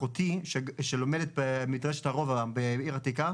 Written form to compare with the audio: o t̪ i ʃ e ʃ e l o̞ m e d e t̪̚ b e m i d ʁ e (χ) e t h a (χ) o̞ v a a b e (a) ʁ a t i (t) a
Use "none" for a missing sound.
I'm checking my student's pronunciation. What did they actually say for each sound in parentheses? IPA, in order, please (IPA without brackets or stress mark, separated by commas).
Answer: ʃ, ʁ, i, k